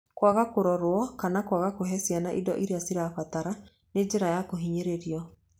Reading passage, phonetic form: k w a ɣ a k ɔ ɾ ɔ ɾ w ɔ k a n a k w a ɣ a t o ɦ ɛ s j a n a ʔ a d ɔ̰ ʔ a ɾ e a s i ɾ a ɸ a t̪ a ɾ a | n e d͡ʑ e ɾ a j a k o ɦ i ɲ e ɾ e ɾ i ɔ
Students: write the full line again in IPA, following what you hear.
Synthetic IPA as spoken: k w a ɣ a k o ɾ ɔ ɾ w ɔ k a n a k w a ɣ a k o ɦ ɛ s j a n a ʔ i d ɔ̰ ʔ i ɾ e a s i ɾ a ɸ a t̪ a ɾ a | n e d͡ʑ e ɾ a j a k o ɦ i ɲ e ɾ e ɾ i ɔ